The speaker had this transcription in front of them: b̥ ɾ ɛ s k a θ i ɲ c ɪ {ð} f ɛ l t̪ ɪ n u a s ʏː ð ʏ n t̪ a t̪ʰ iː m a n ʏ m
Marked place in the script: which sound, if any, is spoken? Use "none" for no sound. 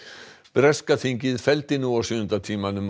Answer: ð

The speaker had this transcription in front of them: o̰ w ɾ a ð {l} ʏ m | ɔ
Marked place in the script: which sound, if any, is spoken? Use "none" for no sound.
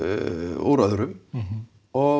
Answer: ɾ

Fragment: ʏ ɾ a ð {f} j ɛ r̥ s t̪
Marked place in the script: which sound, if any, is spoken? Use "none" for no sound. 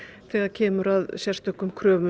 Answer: s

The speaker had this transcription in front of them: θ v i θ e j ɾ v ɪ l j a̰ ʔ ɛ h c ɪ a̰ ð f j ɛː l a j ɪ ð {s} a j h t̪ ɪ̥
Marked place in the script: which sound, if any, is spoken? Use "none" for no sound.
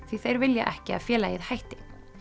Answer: h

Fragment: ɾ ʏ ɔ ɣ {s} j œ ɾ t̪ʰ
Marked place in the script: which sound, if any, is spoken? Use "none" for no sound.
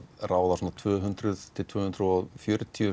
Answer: f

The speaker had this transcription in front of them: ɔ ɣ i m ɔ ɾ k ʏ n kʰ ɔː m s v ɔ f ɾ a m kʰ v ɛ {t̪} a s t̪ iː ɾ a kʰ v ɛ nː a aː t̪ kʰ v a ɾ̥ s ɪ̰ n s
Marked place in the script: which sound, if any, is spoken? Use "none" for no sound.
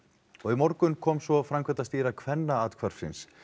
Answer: t̪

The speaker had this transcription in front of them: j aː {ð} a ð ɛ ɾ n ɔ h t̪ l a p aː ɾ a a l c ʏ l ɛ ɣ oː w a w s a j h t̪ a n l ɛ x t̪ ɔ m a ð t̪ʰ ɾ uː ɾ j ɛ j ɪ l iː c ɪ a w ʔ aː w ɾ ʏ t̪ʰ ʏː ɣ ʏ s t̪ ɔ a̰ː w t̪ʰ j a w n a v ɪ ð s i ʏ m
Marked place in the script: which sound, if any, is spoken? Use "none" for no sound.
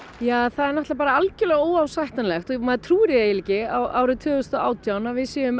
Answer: θ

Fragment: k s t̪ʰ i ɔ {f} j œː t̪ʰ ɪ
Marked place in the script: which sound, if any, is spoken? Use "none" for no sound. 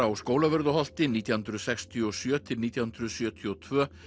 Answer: s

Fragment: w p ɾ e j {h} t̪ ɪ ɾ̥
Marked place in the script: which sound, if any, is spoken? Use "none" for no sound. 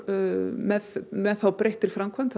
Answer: h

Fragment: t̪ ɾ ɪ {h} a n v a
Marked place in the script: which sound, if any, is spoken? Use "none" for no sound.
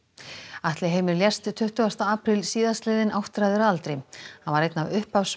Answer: h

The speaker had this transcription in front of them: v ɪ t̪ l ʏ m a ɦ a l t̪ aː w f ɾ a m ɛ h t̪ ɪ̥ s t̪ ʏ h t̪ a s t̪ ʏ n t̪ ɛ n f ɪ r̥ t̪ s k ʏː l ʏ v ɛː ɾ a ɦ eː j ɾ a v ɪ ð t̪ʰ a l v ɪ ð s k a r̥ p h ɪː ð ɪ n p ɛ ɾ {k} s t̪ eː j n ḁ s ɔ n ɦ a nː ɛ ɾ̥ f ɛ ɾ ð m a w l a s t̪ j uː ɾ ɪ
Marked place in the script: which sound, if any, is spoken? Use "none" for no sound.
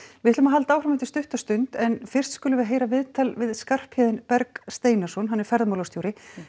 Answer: k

